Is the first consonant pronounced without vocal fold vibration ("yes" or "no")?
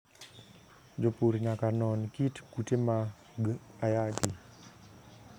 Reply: no